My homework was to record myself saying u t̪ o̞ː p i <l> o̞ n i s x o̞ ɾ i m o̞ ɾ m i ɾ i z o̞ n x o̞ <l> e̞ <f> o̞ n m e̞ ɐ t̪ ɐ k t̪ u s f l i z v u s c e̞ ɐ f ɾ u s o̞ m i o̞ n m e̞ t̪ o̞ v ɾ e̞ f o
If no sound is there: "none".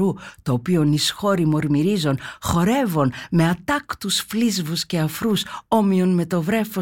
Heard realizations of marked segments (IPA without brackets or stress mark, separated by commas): none, ɾ, v